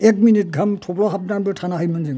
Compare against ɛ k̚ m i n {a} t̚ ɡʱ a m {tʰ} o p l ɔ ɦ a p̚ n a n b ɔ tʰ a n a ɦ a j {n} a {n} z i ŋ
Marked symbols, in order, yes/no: no, yes, no, yes

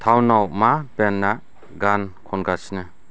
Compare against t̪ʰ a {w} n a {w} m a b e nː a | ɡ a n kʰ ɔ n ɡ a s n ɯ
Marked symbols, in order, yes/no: yes, yes

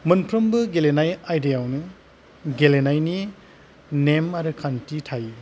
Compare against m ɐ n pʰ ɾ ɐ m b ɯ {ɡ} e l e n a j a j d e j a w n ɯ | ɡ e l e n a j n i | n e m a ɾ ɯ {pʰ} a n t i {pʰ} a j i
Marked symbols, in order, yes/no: yes, no, no

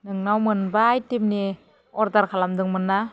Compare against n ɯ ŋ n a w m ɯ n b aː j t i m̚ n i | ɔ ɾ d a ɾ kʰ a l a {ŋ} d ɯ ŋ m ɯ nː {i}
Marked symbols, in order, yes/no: no, no

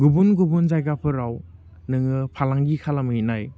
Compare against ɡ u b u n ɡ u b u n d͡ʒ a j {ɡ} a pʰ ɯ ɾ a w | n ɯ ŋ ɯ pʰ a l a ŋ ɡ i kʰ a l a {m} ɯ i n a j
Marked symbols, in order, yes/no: yes, yes

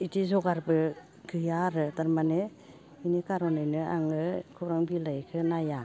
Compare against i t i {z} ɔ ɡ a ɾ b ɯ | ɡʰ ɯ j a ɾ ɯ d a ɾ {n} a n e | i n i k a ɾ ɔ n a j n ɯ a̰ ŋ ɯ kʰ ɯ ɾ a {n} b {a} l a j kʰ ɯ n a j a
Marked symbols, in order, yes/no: yes, no, no, no

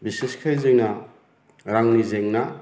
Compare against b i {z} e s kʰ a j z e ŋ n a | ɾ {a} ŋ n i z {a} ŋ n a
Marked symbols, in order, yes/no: no, yes, no

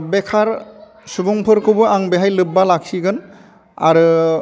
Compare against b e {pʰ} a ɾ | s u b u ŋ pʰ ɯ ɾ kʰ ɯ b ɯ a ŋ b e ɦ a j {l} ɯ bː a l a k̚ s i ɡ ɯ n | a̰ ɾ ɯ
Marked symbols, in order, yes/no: no, yes

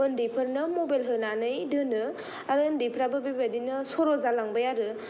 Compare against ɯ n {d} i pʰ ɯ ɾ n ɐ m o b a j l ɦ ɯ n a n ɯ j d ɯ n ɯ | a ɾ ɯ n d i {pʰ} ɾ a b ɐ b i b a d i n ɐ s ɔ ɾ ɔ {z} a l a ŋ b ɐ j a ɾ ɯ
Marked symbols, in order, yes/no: yes, yes, yes

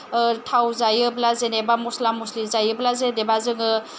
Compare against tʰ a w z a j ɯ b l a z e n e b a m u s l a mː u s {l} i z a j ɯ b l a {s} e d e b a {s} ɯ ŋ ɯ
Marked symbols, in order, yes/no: yes, no, no

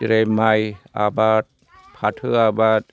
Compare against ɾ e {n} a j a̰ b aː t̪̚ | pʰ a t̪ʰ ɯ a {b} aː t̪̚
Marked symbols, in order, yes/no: no, yes

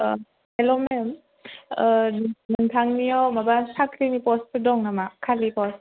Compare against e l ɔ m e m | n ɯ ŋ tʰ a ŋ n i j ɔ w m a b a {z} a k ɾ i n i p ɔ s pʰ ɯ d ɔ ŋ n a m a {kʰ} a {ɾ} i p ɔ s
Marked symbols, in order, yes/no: no, yes, no

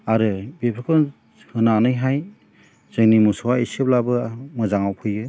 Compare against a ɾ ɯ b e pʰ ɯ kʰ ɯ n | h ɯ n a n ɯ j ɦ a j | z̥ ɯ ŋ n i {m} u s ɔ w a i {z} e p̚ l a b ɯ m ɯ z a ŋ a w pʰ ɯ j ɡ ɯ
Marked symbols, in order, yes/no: yes, no

